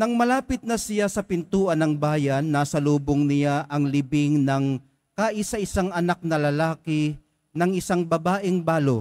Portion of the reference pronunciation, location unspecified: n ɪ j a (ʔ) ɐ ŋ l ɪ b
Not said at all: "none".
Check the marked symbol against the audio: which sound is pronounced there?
ʔ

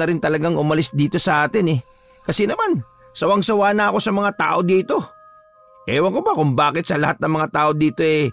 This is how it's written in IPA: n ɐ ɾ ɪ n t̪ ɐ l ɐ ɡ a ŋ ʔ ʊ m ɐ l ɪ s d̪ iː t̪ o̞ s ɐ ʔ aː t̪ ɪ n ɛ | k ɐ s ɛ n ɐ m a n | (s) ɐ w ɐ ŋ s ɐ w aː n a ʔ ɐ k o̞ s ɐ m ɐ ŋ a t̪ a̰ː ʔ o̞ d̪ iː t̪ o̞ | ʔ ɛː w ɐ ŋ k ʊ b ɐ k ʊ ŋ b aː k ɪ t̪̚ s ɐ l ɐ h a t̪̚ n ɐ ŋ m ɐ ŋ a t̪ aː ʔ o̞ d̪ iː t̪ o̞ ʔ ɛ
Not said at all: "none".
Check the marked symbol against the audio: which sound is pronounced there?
s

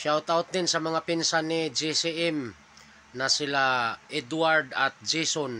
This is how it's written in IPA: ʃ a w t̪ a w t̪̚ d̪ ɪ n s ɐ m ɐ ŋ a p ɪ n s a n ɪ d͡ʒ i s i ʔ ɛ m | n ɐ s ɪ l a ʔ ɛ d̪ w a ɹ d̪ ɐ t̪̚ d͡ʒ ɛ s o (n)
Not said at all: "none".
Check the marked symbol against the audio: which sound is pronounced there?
n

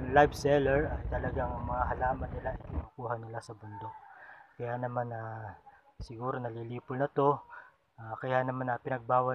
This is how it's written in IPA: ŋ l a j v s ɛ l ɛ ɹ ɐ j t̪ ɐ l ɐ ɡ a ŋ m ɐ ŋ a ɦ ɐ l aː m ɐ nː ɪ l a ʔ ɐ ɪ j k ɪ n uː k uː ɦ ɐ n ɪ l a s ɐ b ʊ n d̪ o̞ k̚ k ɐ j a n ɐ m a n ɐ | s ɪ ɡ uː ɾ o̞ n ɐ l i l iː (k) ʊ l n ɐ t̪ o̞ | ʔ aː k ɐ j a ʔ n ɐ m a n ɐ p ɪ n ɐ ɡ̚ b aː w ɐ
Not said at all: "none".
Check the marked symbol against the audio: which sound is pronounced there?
p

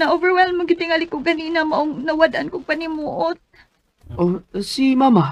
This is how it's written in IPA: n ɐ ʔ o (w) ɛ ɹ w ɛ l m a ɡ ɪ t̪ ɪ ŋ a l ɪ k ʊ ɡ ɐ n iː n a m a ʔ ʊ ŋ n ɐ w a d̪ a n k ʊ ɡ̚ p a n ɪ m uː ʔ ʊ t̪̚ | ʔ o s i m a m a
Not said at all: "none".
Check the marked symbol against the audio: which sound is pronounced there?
v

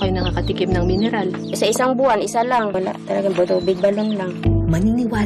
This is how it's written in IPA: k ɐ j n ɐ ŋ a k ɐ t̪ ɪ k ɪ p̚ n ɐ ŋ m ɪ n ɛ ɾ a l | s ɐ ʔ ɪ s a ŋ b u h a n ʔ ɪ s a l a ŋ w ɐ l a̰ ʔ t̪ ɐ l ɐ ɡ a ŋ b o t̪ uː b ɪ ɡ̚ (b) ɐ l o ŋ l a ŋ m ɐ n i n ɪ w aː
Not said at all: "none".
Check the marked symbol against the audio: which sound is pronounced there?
b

